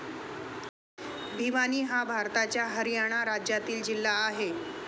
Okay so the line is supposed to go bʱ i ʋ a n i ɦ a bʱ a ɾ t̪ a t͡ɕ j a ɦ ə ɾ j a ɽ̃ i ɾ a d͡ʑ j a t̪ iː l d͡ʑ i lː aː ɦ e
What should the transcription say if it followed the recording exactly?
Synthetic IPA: bʱ i ʋ a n iː ɦ a bʱ a ɾ t̪ a t͡ɕ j a ɦ ə ɾ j a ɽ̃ a ɾ a d͡ʑ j a t̪ iː l d͡ʑ i lː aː ɦ e